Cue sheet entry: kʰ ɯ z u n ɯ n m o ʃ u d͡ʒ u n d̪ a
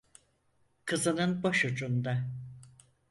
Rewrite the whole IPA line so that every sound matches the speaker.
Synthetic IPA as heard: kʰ ɯ z ɯ n ɯ n b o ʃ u d͡ʒ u n d̪ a